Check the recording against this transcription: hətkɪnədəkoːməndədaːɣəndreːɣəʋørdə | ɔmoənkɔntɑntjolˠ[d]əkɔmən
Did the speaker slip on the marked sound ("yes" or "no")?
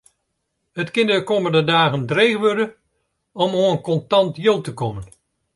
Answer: yes